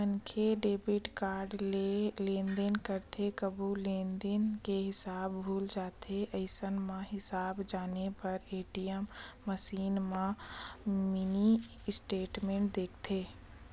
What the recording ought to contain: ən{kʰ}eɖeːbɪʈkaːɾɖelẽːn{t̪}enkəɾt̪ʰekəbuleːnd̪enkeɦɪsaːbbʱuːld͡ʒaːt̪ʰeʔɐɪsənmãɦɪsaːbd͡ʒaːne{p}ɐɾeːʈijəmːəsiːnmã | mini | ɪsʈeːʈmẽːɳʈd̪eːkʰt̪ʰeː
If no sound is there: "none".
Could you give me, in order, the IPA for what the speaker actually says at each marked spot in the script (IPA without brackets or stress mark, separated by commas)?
kʰ, d̪, p